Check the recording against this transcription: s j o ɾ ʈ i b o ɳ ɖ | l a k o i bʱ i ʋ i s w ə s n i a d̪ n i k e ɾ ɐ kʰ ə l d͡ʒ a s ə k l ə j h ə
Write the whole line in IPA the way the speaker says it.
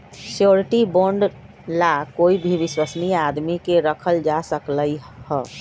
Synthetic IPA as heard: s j o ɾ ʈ i b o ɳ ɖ | l a k o i bʱ i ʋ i s w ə s n i a d̪ m i k e ɾ ə kʰ ə l d͡ʒ a s ə k l ə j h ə

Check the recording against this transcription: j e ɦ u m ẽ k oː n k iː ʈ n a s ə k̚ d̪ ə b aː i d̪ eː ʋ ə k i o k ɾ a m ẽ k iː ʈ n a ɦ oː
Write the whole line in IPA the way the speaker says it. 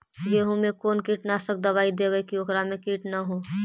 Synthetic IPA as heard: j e ɦ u m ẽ k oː n k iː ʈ n a s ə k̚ d̪ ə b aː i d̪ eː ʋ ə k i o k ɾ a m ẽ k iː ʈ n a ɦ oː

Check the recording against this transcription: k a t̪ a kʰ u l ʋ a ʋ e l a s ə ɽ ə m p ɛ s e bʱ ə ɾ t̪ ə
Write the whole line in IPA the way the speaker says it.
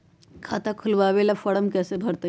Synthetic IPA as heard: kʰ a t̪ a kʰ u l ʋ a ʋ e l a f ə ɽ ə m k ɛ s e bʱ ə ɾ t̪ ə

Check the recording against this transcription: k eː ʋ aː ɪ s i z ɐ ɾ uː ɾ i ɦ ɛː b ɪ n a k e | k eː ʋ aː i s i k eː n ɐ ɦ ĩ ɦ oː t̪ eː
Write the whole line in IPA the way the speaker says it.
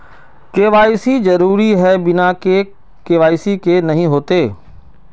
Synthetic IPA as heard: k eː ʋ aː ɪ s i z ɐ ɾ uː ɾ i ɦ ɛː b ɪ n a k e | k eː ʋ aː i s i k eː n ɐ ɦ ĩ ɦ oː t̪ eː

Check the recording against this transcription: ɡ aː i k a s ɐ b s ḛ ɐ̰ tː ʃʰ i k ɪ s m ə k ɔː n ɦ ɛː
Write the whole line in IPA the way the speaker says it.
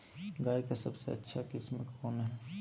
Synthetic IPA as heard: ɡ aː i k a s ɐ b s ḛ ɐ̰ tː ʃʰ a k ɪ s m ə k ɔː n ɦ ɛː

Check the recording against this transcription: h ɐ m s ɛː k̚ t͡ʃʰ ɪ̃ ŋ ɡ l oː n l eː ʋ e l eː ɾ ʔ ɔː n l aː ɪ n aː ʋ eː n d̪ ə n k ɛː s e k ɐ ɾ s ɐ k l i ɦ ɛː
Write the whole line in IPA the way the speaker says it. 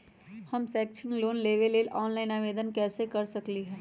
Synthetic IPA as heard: h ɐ m s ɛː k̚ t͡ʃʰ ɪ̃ ŋ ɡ l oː n l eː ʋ e l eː l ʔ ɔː n l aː ɪ n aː ʋ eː d̪ ə n k ɛː s e k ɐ ɾ s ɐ k l i ɦ ɛː

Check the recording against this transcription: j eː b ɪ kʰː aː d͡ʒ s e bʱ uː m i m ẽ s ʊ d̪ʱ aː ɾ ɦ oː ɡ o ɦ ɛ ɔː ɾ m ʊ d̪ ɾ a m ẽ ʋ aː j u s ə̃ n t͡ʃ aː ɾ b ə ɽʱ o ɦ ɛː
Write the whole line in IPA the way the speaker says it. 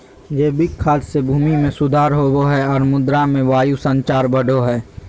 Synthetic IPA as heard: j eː b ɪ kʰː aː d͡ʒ s e bʱ uː m i m ẽ s ʊ d̪ʱ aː ɾ ɦ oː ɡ o ɦ ɛ ɔː ɾ m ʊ d̪ ɾ a m ẽ ʋ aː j u s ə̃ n t͡ʃ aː ɾ b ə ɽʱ o ɦ ɛː

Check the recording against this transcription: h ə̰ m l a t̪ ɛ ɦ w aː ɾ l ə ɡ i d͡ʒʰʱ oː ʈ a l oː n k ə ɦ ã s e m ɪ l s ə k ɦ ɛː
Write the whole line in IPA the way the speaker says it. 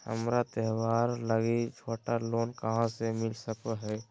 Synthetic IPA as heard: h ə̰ m ɾ a t̪ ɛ ɦ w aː ɾ l ə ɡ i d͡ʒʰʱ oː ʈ a l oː n k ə ɦ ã s e m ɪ l s ə k ɦ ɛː

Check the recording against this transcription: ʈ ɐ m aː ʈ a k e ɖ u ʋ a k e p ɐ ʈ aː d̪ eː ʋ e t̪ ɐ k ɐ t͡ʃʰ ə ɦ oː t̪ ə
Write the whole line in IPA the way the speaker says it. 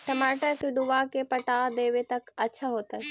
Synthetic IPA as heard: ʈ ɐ m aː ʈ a k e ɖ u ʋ a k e p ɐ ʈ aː d̪ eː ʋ e t̪ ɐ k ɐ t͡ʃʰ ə ɦ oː t̪ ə

